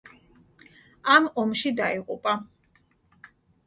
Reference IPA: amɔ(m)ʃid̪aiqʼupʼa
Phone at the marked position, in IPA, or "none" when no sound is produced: m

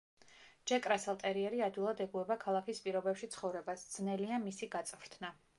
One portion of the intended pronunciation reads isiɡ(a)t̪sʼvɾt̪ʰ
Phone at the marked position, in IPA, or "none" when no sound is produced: a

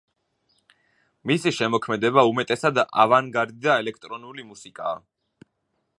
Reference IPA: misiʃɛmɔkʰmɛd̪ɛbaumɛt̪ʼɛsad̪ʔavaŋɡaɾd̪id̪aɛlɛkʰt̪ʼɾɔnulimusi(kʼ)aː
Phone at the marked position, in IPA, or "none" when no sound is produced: kʼ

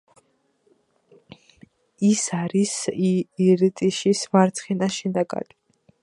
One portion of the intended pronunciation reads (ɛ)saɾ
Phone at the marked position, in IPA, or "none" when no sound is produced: i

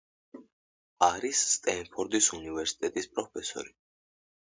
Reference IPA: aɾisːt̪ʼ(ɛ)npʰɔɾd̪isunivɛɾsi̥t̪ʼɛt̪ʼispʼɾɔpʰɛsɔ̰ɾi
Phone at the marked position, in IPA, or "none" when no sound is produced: ɛ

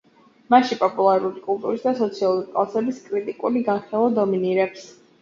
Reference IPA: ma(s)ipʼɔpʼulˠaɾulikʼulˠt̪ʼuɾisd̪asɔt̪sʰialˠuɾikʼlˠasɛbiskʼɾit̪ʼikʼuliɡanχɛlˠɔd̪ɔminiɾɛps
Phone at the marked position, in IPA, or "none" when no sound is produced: ʃ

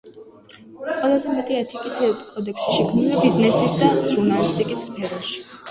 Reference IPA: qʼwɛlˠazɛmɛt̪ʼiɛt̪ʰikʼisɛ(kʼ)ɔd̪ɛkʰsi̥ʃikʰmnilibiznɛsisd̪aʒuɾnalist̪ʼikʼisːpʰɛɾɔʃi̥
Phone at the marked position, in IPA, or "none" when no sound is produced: kʼ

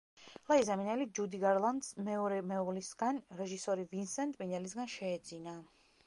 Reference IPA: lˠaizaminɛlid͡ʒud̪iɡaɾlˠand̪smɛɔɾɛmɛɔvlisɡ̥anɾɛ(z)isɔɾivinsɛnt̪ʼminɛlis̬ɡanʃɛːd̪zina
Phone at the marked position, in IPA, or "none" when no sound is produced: ʒ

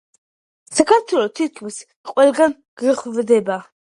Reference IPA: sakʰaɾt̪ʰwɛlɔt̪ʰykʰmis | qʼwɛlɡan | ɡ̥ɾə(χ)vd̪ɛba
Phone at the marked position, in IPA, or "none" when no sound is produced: χ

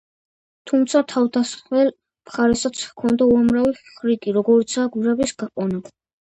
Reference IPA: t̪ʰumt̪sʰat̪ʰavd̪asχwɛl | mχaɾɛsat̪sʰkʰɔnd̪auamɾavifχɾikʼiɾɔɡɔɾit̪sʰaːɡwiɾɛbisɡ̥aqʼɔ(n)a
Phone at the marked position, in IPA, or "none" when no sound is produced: n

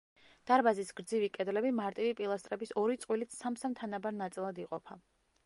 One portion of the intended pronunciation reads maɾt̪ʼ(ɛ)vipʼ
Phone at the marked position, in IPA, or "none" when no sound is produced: i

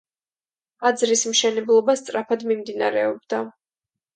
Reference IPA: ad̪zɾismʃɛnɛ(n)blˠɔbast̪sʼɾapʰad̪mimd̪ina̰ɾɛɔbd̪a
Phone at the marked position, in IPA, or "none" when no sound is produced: none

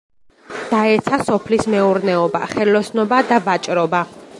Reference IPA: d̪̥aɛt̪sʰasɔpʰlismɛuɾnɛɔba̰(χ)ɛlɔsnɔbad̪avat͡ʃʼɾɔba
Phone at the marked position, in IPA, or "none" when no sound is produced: χ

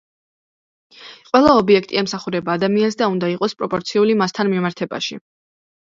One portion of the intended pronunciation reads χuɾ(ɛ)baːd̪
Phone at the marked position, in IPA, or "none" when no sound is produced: ɛ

